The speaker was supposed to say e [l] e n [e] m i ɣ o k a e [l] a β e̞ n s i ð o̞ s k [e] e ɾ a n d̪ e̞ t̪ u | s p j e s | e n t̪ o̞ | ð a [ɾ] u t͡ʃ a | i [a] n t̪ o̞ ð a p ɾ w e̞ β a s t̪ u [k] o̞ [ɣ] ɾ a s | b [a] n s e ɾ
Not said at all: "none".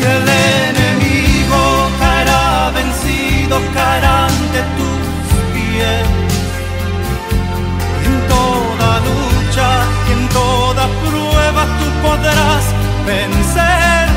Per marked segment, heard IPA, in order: l, e, ɾ, a, l, e, p, ð, e

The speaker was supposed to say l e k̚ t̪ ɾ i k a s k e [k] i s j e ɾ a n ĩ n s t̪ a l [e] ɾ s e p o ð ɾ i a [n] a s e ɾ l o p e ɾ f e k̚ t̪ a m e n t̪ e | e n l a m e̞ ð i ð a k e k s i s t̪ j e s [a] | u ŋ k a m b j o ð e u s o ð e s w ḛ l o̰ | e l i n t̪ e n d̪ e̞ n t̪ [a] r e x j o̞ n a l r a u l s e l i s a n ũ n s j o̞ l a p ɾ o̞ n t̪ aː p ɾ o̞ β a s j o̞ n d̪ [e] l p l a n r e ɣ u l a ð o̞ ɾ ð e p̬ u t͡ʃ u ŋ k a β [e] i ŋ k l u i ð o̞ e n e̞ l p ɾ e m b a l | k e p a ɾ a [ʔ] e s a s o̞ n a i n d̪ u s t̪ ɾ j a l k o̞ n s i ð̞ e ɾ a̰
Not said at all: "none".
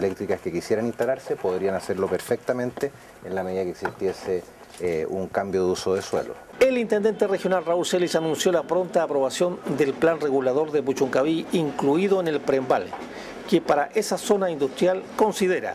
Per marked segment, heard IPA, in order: k, a, n, e, e, e, i, ʔ

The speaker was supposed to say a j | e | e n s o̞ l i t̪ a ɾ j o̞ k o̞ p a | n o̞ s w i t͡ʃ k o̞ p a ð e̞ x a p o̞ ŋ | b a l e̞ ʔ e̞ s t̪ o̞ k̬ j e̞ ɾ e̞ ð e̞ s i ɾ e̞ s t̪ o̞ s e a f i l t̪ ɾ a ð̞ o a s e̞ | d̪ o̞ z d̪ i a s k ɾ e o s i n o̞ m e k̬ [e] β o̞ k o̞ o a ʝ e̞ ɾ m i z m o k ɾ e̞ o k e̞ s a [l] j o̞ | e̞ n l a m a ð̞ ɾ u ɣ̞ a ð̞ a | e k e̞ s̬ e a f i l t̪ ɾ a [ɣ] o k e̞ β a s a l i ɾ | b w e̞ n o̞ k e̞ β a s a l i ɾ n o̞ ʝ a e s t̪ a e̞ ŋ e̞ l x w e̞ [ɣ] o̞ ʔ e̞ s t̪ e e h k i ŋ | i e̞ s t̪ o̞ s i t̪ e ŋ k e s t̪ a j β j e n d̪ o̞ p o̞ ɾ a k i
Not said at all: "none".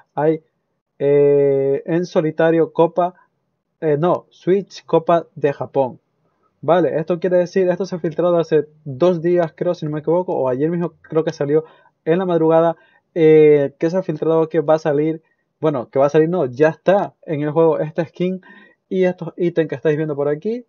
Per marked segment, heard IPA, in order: i, l, ð, ɣ

